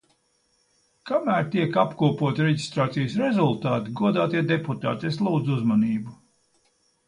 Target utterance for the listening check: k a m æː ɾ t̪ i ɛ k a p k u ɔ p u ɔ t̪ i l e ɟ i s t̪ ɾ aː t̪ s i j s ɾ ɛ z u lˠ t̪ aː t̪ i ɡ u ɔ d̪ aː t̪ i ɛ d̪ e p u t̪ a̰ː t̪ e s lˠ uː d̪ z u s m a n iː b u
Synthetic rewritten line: k a m æː ɾ t̪ i ɛ k a p k u ɔ p u ɔ t̪ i ɾ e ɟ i s t̪ ɾ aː t̪ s i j s ɾ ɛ z u lˠ t̪ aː t̪ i ɡ u ɔ d̪ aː t̪ i ɛ d̪ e p u t̪ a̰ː t̪ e s lˠ uː d̪ z u z m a n iː b u